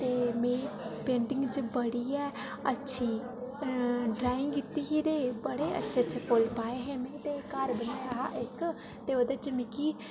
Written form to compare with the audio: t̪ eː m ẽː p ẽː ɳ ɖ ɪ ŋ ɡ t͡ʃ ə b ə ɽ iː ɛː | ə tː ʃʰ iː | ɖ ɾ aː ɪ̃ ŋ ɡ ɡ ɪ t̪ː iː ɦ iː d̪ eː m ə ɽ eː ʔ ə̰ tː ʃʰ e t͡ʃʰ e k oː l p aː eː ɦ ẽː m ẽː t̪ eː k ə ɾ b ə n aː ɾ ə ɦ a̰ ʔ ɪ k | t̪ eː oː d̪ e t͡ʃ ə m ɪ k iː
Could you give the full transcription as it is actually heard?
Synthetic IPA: t̪ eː m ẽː p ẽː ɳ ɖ ɪ ŋ ɡ t͡ʃ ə b ə ɽ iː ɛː | ə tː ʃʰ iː | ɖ ɾ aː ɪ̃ ŋ ɡ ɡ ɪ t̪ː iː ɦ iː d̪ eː b ə ɽ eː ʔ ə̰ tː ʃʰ e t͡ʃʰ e k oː l p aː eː ɦ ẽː m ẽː t̪ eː k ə ɾ b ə n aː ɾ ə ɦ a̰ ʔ ɪ k | t̪ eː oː d̪ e t͡ʃ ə m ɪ k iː